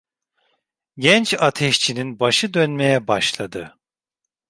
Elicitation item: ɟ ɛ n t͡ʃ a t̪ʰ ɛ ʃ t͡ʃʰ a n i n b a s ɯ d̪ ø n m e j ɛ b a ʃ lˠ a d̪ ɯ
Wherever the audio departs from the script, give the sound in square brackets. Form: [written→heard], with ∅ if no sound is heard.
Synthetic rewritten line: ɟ ɛ n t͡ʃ a t̪ʰ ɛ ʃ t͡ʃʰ [a→i] n i n b a [s→ʃ] ɯ d̪ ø n m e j ɛ b a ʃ lˠ a d̪ ɯ